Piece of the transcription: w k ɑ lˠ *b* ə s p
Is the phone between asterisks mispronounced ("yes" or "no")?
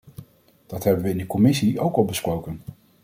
no